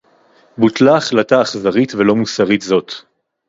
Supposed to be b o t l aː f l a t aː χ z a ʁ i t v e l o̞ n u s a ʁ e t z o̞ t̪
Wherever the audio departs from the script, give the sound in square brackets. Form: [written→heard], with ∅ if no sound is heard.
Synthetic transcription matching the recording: b [o→u] t l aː [f→χ] l a t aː χ z a ʁ i t v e l o̞ [n→m] u s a ʁ [e→i] t z o̞ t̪

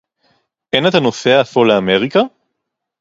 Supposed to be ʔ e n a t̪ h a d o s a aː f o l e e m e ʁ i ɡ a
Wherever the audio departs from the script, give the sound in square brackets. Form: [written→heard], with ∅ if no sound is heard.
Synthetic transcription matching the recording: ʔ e n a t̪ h a [d→n] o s [a→e] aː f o l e [e→a] m e ʁ i [ɡ→k] a

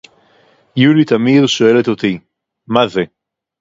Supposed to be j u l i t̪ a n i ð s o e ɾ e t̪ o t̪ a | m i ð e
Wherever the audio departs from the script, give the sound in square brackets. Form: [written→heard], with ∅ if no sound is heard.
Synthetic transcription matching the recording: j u l i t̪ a [n→m] i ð [s→ʃ] o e [ɾ→l] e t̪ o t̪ [a→i] | m [i→a] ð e

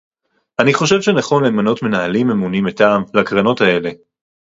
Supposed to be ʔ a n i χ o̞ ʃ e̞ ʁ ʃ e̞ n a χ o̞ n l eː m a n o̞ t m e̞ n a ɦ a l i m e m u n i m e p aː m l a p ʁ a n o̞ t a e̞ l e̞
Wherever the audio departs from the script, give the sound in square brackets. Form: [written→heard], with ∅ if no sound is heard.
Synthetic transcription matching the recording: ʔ a n i χ o̞ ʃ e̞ [ʁ→v] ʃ e̞ n a χ o̞ n l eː m a n o̞ t m e̞ n a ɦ a l i m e m u n i m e [p→t] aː m l a [p→k] ʁ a n o̞ t a e̞ l e̞

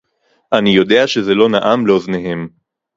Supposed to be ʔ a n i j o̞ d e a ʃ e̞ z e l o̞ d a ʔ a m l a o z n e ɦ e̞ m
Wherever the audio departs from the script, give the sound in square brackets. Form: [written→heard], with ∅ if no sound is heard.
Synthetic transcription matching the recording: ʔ a n i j o̞ d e a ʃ e̞ z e l o̞ [d→n] a ʔ a m l [a→e] o z n e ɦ e̞ m

